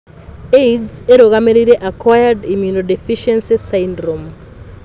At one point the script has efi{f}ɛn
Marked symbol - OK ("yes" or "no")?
no